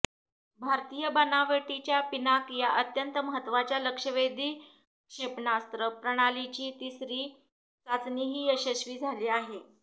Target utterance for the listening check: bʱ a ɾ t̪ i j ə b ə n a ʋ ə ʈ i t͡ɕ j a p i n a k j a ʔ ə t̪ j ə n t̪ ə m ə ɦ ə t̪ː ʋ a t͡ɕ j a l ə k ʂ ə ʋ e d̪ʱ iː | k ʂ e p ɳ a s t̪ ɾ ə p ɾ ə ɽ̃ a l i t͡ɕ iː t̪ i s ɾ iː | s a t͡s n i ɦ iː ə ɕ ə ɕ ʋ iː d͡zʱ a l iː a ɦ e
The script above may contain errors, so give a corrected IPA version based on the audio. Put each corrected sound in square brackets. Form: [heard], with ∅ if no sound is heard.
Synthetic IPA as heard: bʱ a ɾ t̪ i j ə b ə n a ʋ ə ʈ i t͡ɕ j a p i n a k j a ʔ ə t̪ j ə n t̪ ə m ə ɦ ə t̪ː ʋ a t͡ɕ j a l ə k ʂ ə ʋ e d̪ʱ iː | k ʂ e p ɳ a s t̪ ɾ ə p ɾ ə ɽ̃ a l i t͡ɕ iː t̪ i s ɾ iː | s a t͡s n i ɦ iː ə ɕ ə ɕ ʋ iː d͡zʱ a l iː a ɦ e